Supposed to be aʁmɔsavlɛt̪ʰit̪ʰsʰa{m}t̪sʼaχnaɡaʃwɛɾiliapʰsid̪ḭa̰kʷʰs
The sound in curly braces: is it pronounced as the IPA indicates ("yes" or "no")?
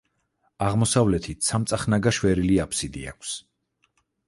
yes